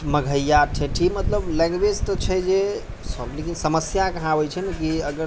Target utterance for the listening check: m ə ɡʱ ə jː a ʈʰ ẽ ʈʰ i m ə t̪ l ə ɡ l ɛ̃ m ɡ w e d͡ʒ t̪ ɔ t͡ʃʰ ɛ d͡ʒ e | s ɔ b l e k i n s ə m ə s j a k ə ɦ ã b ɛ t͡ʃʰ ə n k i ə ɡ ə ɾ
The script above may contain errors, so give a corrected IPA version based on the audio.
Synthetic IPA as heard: m ə ɡʱ ə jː a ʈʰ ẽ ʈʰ i m ə t̪ l ə b l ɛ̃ ŋ ɡ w e d͡ʒ t̪ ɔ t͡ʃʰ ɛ d͡ʒ e | s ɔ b l e k i n s ə m ə s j a k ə ɦ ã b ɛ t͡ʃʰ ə n k i ə ɡ ə ɾ